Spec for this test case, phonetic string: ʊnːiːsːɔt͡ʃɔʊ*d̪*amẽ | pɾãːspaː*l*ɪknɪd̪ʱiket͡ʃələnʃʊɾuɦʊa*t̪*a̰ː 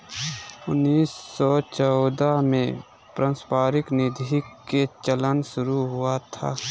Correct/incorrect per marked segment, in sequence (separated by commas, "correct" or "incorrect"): correct, incorrect, incorrect